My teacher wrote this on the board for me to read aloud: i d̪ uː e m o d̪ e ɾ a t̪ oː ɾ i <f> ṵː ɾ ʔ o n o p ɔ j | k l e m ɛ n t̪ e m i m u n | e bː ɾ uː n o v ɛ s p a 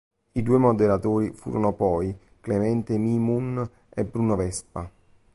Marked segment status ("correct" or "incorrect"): correct